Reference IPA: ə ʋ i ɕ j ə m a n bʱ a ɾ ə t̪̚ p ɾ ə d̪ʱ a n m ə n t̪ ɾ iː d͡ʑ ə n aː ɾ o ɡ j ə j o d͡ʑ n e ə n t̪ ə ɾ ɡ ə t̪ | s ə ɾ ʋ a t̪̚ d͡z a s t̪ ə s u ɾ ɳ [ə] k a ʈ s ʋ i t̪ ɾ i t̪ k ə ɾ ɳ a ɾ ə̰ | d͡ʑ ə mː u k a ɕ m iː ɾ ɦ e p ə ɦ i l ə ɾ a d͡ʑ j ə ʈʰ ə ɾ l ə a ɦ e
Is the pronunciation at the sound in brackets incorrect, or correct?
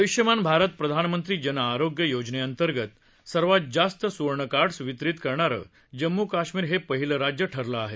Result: correct